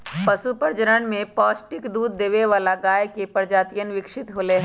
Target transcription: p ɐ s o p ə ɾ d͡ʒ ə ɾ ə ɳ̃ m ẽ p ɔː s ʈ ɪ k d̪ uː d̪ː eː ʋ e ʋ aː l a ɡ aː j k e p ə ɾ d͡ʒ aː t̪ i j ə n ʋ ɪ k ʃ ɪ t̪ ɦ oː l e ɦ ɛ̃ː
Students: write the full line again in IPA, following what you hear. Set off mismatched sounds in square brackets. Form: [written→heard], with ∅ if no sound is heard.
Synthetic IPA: p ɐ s [o→u] p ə ɾ d͡ʒ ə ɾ ə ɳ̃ m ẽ p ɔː s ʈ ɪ k d̪ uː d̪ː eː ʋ e ʋ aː l a ɡ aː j k e p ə ɾ d͡ʒ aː t̪ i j ə n ʋ ɪ k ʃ ɪ t̪ ɦ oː l e ɦ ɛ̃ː